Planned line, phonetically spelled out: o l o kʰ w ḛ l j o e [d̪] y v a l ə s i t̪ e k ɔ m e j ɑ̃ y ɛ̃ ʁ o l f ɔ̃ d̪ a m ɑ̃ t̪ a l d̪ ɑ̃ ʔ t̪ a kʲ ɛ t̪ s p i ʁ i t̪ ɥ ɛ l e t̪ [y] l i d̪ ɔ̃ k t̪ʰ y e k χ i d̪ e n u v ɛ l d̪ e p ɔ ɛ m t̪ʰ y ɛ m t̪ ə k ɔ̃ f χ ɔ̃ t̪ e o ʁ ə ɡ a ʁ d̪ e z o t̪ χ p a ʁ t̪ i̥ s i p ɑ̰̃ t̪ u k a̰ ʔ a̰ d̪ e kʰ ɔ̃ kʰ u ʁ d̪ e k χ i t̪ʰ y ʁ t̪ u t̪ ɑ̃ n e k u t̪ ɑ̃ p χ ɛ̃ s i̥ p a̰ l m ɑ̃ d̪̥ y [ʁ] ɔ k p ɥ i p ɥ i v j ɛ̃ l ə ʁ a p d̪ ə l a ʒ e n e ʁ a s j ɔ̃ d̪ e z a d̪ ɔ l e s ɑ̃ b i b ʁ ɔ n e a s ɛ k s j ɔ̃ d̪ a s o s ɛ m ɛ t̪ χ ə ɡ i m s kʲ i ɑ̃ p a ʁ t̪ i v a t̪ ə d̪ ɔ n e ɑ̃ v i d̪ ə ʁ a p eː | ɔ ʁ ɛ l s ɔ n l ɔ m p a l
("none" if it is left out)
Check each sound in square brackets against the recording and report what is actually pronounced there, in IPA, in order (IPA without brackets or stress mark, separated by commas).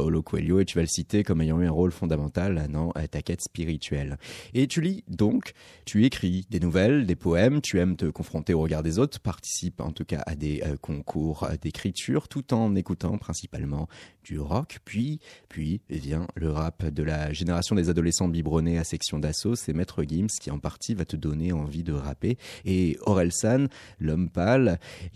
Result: t̪, y, ʁ